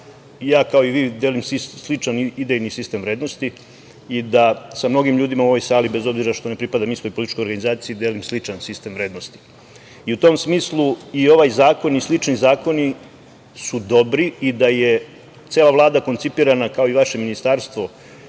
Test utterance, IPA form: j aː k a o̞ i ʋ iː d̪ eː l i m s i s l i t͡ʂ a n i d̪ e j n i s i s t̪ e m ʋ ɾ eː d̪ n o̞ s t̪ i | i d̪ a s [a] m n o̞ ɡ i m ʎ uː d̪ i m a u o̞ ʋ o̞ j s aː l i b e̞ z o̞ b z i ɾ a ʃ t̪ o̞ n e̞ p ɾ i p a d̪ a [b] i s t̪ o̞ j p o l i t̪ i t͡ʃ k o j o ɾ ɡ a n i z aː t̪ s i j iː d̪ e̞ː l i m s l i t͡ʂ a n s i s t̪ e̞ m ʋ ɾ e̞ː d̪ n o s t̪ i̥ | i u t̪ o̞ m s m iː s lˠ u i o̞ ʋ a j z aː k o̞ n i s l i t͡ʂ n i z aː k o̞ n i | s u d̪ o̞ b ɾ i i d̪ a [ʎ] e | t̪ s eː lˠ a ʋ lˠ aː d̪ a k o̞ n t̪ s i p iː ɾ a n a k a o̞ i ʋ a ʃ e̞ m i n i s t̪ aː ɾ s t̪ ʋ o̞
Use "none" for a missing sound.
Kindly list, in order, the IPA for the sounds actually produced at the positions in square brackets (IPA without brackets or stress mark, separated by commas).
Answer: a, m, j